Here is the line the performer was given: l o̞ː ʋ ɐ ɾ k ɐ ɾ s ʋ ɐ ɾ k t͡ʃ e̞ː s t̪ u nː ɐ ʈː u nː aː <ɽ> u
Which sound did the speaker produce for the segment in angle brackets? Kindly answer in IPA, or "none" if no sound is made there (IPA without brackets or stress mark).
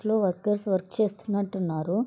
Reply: ɾ